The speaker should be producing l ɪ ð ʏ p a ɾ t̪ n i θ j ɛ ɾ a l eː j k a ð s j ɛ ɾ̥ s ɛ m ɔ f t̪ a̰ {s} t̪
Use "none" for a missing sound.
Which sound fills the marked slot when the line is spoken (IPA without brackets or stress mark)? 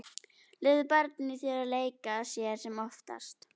s